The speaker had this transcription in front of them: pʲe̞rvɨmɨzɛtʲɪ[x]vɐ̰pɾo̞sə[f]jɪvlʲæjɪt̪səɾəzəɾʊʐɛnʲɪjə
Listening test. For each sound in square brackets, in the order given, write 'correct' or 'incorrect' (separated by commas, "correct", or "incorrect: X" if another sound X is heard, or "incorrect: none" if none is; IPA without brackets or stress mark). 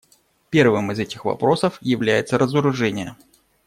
correct, correct